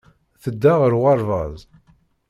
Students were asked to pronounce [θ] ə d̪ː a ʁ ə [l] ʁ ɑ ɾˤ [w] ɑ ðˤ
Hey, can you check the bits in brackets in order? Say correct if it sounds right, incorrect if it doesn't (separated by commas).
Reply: correct, incorrect, incorrect